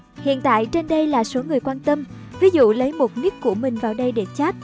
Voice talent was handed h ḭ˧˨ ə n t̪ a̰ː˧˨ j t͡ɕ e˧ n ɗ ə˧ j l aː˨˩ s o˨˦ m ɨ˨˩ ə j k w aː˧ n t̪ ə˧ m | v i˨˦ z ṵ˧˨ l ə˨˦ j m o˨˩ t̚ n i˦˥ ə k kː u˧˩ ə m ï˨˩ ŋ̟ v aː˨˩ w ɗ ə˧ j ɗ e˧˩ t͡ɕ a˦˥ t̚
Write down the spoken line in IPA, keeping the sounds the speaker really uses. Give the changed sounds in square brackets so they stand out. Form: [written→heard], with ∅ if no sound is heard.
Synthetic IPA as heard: h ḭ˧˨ ə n t̪ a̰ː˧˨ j t͡ɕ e˧ n ɗ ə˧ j l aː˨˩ s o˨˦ [m→ŋ] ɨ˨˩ ə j k w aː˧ n t̪ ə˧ m | v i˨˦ z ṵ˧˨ l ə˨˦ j m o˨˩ t̚ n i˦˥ ə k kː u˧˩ ə m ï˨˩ ŋ̟ v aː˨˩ w ɗ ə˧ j ɗ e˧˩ t͡ɕ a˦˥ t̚